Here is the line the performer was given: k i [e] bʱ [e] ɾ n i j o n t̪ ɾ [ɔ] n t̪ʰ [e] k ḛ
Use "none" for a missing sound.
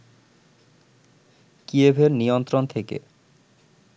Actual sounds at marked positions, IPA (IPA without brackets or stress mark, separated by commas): e, e, o, e